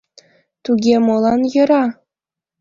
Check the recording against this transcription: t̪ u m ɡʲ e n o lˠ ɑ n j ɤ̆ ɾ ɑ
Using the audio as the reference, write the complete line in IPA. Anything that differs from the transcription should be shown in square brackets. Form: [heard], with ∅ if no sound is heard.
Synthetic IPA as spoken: t̪ u [∅] ɡʲ e [m] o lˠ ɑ n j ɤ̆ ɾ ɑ